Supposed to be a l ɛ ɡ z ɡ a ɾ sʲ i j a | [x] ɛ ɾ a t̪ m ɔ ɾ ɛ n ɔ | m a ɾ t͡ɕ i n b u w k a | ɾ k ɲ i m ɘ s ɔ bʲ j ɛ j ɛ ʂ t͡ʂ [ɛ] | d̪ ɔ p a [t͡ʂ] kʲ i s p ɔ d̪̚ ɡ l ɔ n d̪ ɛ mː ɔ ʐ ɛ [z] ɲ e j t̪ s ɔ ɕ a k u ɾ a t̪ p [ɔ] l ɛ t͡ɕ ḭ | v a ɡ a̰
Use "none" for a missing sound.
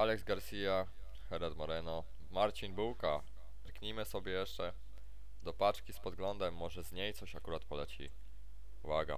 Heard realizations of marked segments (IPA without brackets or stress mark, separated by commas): x, ɛ, t͡ʂ, z, ɔ